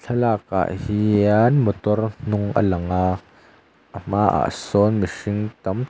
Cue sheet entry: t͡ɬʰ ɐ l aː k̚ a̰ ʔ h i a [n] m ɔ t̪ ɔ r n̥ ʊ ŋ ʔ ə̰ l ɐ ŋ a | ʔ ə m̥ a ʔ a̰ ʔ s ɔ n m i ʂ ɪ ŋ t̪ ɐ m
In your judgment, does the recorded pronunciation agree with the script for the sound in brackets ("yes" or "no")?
yes